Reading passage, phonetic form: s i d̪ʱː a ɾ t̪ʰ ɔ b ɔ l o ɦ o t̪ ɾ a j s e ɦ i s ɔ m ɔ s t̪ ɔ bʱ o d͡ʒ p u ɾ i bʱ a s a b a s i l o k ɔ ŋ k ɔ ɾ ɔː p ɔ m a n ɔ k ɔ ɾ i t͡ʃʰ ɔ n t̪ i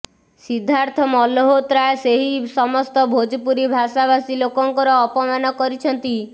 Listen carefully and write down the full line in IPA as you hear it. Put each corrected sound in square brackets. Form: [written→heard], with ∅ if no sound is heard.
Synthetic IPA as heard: s i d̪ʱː a ɾ t̪ʰ ɔ [b→m] ɔ l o ɦ o t̪ ɾ a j s e ɦ i s ɔ m ɔ s t̪ ɔ bʱ o d͡ʒ p u ɾ i bʱ a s a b a s i l o k ɔ ŋ k ɔ ɾ ɔː p ɔ m a n ɔ k ɔ ɾ i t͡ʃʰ ɔ n t̪ i

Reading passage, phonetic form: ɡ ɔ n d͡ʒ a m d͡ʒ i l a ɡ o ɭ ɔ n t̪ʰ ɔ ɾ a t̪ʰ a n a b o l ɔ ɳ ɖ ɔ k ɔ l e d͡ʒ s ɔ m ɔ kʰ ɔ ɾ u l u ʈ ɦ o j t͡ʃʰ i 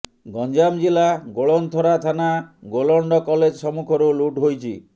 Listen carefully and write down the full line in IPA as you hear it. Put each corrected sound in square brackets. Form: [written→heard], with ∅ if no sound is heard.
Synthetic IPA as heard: ɡ ɔ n d͡ʒ a m d͡ʒ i l a ɡ o ɭ ɔ n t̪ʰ ɔ ɾ a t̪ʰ a n a [b→ɡ] o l ɔ ɳ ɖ ɔ k ɔ l e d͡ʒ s ɔ m [ɔ→u] kʰ ɔ ɾ u l u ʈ ɦ o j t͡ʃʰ i

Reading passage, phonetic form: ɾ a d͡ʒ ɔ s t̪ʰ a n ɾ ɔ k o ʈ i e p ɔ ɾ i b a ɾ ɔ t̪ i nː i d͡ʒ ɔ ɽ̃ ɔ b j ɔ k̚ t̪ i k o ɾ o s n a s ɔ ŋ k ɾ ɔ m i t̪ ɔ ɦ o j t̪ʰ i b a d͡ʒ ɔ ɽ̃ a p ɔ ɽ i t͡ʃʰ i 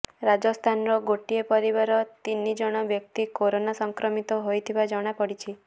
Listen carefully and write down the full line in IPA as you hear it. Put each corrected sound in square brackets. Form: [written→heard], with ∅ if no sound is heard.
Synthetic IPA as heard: ɾ a d͡ʒ ɔ s t̪ʰ a n ɾ ɔ [k→ɡ] o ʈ i e p ɔ ɾ i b a ɾ ɔ t̪ i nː i d͡ʒ ɔ ɽ̃ ɔ b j ɔ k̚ t̪ i k o ɾ o [s→∅] n a s ɔ ŋ k ɾ ɔ m i t̪ ɔ ɦ o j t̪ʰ i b a d͡ʒ ɔ ɽ̃ a p ɔ ɽ i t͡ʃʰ i

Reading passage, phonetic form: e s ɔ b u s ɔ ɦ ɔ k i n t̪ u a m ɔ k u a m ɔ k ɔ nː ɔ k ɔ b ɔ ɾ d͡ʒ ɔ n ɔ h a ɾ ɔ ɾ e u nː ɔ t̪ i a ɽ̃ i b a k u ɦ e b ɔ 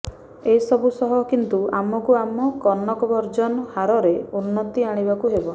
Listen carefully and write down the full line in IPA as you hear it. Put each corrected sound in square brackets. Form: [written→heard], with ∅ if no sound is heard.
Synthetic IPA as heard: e s ɔ b u s ɔ ɦ ɔ k i n t̪ u a m ɔ k u a m ɔ k ɔ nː ɔ k ɔ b ɔ ɾ d͡ʒ ɔ n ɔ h a ɾ ɔ ɾ e u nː ɔ t̪ i a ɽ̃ i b a k u ɦ e b ɔ

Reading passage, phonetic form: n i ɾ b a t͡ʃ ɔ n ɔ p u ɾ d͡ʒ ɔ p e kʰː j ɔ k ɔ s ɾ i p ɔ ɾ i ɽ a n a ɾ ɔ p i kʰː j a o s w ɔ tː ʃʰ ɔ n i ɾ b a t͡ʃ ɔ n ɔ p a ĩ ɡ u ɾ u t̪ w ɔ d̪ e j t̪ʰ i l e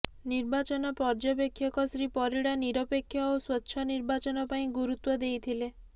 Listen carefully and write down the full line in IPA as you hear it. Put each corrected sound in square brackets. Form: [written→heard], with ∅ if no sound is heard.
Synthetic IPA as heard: n i ɾ b a t͡ʃ ɔ n ɔ p [u→ɔ] ɾ d͡ʒ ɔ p e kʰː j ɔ k ɔ s ɾ i p ɔ ɾ i ɽ a n [a→i] ɾ ɔ p [i→e] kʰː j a o s w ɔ tː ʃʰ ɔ n i ɾ b a t͡ʃ ɔ n ɔ p a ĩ ɡ u ɾ u t̪ w ɔ d̪ e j t̪ʰ i l e

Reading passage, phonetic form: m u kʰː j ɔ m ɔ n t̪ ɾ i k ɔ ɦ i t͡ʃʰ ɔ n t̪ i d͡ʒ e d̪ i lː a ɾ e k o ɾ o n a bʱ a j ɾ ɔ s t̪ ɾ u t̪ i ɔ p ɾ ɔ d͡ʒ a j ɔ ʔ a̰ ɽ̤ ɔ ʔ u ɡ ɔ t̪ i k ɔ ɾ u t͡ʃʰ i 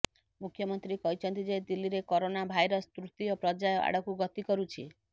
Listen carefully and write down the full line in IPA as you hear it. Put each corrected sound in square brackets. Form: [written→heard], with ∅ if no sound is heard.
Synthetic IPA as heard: m u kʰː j ɔ m ɔ n t̪ ɾ i k ɔ ɦ i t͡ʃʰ ɔ n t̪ i d͡ʒ e d̪ i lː [a→i] ɾ e k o ɾ o n a bʱ a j ɾ ɔ s t̪ ɾ u t̪ i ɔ p ɾ ɔ d͡ʒ a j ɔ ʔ a̰ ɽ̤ ɔ [ʔ→k] u ɡ ɔ t̪ i k ɔ ɾ u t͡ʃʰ i

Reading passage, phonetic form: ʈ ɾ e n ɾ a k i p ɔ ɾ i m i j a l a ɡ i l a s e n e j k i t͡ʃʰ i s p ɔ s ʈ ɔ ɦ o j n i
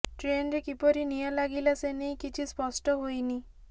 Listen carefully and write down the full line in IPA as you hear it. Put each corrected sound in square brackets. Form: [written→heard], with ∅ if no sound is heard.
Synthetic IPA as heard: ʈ ɾ e n ɾ [a→e] k i p ɔ ɾ i [m→n] i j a l a ɡ i l a s e n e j k i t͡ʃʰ i s p ɔ s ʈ ɔ ɦ o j n i

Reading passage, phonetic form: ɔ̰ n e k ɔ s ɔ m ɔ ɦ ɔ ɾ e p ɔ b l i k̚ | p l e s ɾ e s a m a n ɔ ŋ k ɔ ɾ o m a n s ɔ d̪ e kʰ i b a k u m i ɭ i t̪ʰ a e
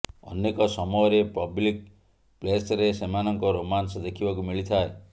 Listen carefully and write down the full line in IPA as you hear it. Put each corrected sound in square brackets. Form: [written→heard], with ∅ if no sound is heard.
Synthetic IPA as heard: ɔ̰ n e k ɔ s ɔ m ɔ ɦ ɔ ɾ e p ɔ b l i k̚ | p l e s ɾ e s [a→e] m a n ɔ ŋ k ɔ ɾ o m a n s ɔ d̪ e kʰ i b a k u m i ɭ i t̪ʰ a e

